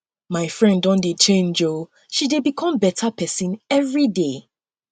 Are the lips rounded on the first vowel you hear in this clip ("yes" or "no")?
no